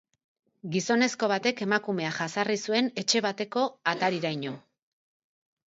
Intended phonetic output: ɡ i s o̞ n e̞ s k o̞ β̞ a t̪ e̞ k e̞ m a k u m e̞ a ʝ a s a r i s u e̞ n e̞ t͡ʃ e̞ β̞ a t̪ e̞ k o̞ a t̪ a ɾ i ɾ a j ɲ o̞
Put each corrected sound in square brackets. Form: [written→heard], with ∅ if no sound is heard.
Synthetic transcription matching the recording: ɡ i s o̞ n e̞ s k o̞ β̞ a t̪ e̞ k e̞ m a k u m e̞ a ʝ a s a r i s u e̞ n e̞ t͡ʃ e̞ β̞ a t̪ e̞ k o̞ a t̪ a ɾ i ɾ a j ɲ o̞

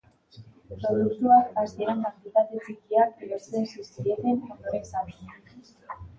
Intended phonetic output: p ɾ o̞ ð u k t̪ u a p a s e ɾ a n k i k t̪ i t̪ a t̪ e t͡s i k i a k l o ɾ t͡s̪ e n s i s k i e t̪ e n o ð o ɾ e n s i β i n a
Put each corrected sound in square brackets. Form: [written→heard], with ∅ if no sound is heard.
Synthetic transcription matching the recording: p ɾ o̞ ð u k t̪ u a [p→k] a s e ɾ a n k [i→a] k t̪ i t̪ a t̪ e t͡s i k i a k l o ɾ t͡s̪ e n s i s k i e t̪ e n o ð o ɾ e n s [i→a] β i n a

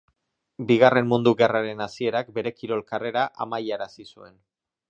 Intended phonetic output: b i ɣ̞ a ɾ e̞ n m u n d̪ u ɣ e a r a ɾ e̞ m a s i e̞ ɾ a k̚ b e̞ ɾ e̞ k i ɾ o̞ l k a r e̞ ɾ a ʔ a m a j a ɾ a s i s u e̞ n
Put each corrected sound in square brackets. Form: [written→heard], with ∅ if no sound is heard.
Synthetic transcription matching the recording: b i ɣ̞ a [ɾ→r] e̞ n m u n d̪ u ɣ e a r a ɾ e̞ [m→n] a s i e̞ ɾ a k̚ b e̞ ɾ e̞ k i ɾ o̞ l k a r e̞ ɾ a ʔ a m a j a ɾ a s i s u e̞ n

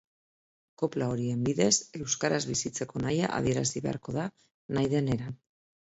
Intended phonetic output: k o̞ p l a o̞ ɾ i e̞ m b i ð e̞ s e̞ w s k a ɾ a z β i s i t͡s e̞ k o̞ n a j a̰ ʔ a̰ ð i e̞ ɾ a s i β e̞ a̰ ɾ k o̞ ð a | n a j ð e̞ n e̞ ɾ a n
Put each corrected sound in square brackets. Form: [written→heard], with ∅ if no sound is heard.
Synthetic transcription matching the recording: k o̞ p l a o̞ ɾ i e̞ m b i ð e̞ s e̞ w s k a ɾ a z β i s i t͡s e̞ k o̞ n a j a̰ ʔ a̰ ð i e̞ ɾ a s i β e̞ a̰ ɾ k o̞ ð a | n a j ð e̞ n e̞ ɾ a n

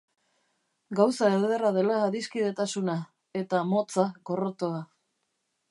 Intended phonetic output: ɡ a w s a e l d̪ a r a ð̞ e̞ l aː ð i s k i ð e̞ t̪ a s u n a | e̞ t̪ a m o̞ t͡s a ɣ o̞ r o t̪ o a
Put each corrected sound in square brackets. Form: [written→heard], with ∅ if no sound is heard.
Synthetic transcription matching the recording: ɡ a w s a e l d̪ [a→e] r a ð̞ e̞ l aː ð i s k i ð e̞ t̪ a s u n a | e̞ t̪ a m o̞ t͡s a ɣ o̞ r o t̪ o a

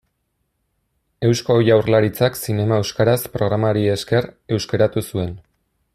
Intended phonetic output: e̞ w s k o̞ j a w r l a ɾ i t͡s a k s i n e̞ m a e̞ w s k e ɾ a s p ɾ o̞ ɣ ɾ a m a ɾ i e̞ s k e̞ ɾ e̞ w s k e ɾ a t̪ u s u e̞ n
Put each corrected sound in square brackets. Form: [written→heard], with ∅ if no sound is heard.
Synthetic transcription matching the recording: e̞ w s k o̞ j a w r l a ɾ i t͡s a k s i n e̞ m a e̞ w s k [e→a] ɾ a s p ɾ o̞ ɣ ɾ a m a ɾ i e̞ s k e̞ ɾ e̞ w s k e ɾ a t̪ u s u e̞ n

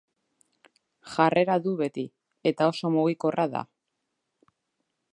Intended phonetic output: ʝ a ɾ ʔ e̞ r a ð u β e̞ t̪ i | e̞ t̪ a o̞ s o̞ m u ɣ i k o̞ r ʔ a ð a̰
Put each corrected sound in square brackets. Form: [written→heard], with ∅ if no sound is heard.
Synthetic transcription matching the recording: ʝ a [ɾ→r] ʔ e̞ [r→ɾ] a ð u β e̞ t̪ i | e̞ t̪ a o̞ s o̞ m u ɣ i k o̞ r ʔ a ð a̰

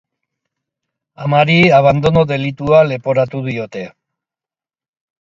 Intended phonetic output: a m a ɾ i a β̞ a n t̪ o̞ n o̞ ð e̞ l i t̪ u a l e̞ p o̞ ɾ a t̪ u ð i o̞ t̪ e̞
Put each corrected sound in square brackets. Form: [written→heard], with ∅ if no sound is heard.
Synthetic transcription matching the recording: a m a ɾ i a β̞ a n [t̪→d̪] o̞ n o̞ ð e̞ l i t̪ u a l e̞ p o̞ ɾ a t̪ u ð i o̞ t̪ e̞

